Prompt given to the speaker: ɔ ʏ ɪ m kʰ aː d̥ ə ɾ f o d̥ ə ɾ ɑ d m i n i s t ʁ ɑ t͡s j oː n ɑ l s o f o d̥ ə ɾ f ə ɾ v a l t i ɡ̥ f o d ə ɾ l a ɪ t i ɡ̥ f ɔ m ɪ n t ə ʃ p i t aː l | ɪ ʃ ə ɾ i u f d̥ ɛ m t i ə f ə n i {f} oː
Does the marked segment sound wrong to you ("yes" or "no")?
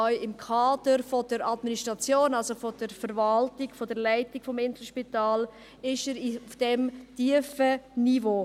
yes